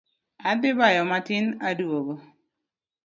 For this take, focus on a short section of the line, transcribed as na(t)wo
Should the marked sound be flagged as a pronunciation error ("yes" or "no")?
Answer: yes